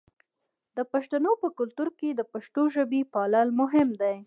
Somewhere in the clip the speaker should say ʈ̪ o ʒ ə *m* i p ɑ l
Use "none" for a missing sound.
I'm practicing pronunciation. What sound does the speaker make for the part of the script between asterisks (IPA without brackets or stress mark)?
b